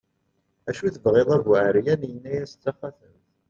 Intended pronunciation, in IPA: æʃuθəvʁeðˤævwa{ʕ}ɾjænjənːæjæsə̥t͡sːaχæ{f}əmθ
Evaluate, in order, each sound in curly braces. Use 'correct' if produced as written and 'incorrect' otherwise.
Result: correct, incorrect

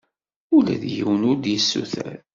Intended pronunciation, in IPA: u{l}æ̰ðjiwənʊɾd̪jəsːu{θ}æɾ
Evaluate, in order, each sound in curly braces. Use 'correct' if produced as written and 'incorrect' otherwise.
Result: correct, correct

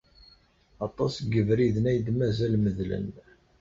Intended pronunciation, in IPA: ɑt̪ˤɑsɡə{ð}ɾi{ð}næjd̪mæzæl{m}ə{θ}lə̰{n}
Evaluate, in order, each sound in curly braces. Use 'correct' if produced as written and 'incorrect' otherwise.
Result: incorrect, correct, correct, incorrect, correct

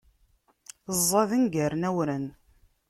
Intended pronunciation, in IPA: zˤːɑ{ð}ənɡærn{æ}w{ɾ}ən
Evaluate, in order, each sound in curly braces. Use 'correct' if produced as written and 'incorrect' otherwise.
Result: correct, correct, correct

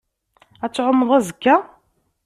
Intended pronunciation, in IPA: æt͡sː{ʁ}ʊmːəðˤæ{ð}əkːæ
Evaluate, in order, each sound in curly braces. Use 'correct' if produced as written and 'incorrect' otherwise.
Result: incorrect, incorrect

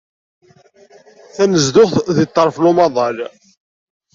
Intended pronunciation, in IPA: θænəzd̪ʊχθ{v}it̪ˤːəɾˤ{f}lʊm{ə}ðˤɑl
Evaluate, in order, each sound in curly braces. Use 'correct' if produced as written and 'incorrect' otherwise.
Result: incorrect, correct, incorrect

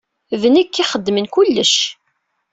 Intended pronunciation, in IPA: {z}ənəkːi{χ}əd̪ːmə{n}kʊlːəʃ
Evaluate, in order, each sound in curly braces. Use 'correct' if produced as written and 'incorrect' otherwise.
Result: incorrect, correct, correct

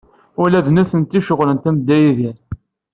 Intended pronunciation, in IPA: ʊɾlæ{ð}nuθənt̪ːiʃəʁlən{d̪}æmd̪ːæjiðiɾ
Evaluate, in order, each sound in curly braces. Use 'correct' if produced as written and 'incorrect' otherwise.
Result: correct, incorrect

